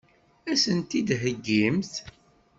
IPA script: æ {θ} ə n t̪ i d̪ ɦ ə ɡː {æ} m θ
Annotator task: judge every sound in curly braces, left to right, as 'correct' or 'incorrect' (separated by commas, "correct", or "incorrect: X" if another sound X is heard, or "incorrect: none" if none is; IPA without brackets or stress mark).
incorrect: s, incorrect: i